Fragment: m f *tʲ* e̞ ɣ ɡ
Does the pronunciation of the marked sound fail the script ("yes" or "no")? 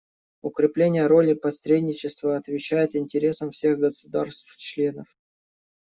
yes